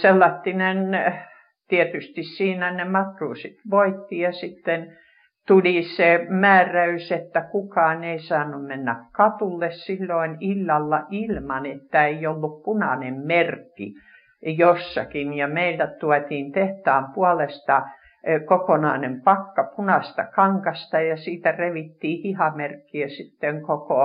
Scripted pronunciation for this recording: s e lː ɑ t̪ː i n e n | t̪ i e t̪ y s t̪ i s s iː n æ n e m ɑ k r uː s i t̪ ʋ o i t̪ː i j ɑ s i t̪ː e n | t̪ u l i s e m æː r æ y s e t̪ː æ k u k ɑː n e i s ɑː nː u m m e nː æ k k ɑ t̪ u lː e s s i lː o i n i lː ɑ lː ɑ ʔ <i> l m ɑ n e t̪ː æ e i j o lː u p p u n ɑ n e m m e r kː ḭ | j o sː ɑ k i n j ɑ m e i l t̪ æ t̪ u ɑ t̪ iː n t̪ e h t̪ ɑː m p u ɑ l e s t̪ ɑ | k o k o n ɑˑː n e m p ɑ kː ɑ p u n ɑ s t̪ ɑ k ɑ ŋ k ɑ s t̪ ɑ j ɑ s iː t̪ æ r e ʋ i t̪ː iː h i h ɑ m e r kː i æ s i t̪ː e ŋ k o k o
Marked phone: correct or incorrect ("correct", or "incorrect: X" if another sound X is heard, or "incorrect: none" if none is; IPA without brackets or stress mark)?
correct